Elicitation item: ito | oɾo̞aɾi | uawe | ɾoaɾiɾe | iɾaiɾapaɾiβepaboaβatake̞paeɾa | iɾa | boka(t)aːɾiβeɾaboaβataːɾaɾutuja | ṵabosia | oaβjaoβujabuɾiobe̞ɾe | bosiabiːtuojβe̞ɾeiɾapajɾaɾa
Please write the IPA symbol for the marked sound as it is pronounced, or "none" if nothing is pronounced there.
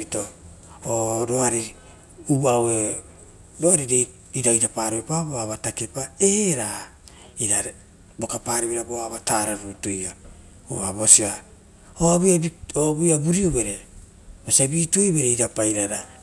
p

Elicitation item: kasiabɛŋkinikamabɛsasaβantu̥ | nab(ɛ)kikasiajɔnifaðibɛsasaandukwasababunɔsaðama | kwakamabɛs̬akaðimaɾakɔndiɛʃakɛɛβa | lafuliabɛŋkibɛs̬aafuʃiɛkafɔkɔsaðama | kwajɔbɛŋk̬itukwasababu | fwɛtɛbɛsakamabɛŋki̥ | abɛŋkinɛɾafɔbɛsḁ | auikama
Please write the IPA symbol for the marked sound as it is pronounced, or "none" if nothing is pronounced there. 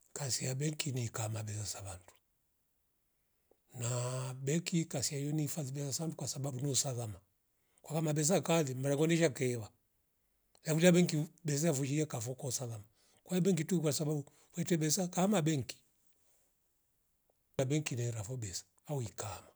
ɛ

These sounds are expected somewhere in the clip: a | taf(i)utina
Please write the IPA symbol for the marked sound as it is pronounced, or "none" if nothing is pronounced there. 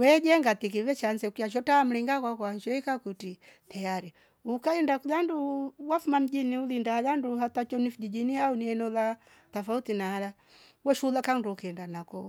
a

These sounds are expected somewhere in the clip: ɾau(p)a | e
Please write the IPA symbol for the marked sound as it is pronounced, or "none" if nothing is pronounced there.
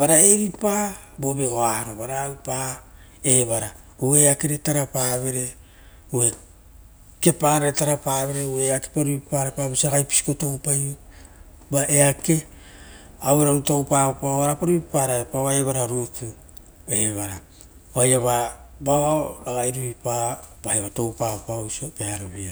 p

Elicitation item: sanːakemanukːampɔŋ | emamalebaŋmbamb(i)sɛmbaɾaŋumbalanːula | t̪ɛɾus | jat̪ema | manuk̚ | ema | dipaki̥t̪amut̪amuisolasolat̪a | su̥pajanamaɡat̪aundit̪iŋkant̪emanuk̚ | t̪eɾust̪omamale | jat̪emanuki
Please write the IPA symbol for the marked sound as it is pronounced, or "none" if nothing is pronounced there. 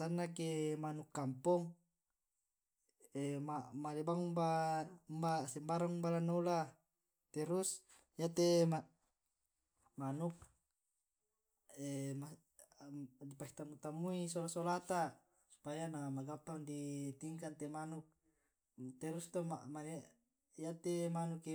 a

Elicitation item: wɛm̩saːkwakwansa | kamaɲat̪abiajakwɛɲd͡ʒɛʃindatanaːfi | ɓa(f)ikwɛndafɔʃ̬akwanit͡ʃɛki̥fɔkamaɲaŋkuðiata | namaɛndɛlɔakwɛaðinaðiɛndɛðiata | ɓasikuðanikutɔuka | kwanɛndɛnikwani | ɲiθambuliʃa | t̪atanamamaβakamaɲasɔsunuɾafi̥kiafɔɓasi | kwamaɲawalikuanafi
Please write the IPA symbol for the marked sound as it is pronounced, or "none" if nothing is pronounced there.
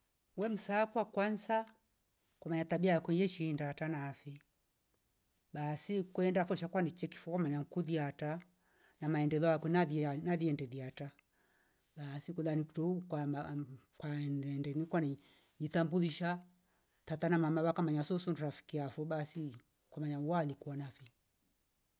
s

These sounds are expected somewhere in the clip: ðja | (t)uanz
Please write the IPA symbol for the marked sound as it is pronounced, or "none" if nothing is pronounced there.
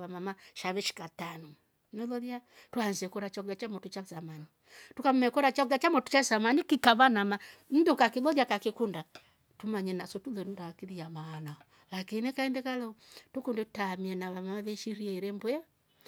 t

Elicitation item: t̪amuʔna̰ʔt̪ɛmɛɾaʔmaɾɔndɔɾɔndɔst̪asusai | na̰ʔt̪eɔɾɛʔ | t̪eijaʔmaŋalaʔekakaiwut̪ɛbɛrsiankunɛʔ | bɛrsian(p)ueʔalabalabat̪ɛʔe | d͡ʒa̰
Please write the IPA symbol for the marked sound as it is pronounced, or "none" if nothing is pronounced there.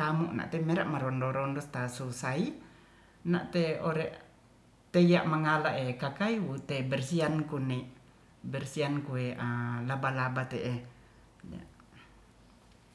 k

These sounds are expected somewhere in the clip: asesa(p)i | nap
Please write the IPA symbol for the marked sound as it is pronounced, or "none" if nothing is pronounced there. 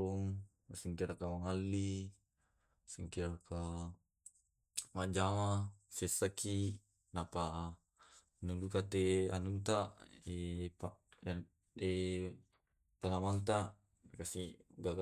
k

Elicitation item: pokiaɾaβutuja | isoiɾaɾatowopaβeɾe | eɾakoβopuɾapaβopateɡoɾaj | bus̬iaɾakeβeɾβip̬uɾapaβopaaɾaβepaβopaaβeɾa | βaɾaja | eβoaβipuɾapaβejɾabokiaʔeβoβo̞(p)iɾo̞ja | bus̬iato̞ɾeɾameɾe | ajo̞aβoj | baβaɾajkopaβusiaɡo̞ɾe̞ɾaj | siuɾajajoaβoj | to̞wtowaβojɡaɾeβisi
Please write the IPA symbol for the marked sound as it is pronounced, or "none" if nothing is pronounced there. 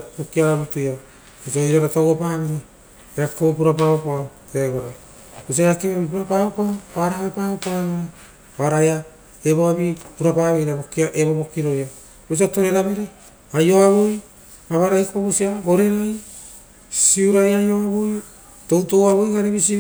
k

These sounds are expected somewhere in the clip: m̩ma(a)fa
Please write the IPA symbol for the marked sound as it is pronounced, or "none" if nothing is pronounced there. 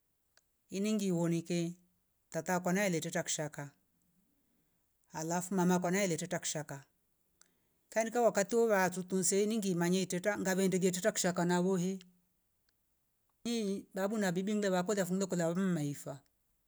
i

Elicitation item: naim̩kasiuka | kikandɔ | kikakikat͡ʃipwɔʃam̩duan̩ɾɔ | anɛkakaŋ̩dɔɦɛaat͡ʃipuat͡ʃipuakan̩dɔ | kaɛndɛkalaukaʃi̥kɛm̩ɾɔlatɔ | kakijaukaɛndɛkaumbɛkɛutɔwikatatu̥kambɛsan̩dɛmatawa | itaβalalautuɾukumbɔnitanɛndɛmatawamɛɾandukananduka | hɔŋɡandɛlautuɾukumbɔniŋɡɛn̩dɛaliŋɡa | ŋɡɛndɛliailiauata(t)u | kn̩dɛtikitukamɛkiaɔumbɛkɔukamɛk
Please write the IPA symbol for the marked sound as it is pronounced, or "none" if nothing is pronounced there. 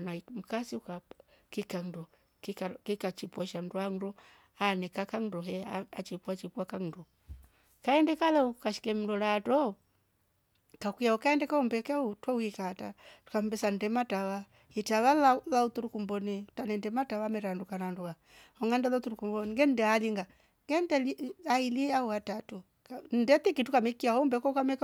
t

